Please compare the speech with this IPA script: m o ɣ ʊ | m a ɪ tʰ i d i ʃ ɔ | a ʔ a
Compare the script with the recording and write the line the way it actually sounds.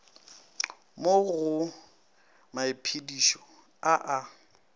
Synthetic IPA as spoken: m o ɣ ʊ | m a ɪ pʰ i d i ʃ ɔ | a ʔ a